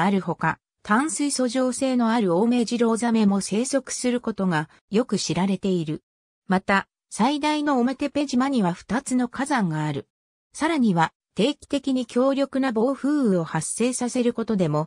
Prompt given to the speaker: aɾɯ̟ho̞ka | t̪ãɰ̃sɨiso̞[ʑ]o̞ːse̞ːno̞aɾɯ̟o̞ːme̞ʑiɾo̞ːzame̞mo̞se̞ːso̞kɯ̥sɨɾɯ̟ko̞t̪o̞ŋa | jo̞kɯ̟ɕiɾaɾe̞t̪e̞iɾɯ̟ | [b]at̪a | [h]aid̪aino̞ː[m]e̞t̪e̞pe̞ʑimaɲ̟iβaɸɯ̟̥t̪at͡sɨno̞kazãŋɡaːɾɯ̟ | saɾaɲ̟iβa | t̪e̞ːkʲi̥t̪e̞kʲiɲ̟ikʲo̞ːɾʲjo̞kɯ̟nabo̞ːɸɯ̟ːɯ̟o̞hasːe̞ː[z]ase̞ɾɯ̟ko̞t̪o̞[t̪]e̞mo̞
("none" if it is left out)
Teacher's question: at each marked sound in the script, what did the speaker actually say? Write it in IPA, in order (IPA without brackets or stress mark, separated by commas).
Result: ʑ, m, s, m, s, d̪